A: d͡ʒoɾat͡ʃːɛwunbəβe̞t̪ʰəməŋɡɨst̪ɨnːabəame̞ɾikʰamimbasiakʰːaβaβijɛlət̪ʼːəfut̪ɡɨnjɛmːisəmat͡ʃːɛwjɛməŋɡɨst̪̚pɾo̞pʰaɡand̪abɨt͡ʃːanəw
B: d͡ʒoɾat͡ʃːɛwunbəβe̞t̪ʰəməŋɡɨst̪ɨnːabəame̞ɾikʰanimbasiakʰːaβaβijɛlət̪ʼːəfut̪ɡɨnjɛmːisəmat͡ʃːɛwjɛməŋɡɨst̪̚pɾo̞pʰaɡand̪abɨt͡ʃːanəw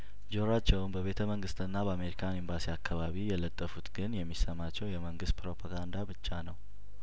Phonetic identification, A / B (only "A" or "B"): B